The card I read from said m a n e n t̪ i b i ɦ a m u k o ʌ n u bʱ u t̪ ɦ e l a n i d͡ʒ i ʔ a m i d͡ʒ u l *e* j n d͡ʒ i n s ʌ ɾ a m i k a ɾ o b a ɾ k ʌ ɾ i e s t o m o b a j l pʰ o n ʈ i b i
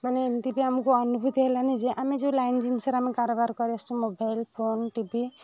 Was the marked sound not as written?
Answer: yes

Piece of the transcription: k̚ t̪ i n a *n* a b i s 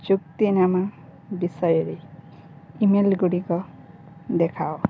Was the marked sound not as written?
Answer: yes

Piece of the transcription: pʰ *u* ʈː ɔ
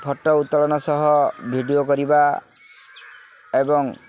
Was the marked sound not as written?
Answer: yes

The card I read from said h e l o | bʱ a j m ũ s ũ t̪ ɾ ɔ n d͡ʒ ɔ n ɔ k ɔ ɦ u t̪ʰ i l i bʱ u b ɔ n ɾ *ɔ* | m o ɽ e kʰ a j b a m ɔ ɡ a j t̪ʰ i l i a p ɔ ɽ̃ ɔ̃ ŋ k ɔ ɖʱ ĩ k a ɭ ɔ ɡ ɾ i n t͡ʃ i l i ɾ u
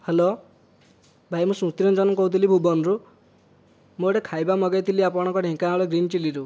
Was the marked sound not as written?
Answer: yes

